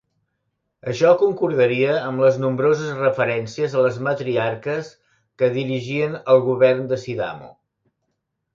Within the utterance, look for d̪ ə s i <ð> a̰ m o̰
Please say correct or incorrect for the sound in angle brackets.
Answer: correct